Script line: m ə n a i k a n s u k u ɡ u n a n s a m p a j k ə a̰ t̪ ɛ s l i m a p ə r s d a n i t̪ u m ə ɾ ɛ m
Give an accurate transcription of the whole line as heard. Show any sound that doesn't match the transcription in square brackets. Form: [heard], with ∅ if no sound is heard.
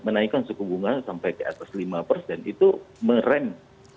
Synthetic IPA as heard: m ə n a i k a n s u k u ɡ u [ŋ] a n s a m p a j k ə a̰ t̪ [a] s l i m a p ə r s d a n i t̪ u m ə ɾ ɛ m